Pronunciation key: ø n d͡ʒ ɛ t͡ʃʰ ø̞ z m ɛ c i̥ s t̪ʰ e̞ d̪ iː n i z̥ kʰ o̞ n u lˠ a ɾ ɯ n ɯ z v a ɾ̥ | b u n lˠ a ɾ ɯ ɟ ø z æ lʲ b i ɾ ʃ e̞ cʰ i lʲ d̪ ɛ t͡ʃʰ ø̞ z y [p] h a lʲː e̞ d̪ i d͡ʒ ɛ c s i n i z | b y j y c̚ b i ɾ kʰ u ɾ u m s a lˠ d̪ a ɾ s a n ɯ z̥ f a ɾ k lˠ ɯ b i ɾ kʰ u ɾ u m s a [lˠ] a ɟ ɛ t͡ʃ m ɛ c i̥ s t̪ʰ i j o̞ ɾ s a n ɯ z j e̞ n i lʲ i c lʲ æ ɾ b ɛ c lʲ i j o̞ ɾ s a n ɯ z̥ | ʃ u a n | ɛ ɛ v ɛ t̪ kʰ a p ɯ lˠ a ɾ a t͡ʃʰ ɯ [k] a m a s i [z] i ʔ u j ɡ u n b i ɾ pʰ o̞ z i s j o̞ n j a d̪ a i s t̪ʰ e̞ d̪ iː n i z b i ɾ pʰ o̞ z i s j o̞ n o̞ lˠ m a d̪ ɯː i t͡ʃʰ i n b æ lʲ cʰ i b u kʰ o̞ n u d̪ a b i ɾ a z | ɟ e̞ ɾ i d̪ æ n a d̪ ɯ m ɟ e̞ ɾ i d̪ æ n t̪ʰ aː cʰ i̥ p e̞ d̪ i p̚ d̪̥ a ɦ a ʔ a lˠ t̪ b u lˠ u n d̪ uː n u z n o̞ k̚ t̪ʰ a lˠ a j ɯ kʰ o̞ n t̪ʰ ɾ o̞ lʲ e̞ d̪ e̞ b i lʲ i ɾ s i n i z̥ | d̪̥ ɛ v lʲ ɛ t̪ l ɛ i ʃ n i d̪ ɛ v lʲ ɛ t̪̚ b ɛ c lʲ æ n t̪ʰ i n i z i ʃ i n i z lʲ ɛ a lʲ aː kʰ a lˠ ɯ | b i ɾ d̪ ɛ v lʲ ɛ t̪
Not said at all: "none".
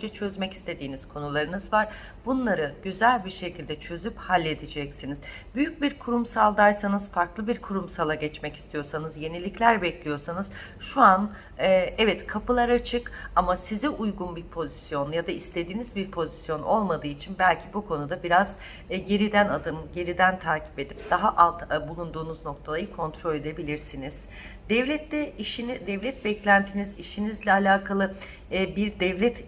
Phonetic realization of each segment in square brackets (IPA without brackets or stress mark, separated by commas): p, lˠ, k, z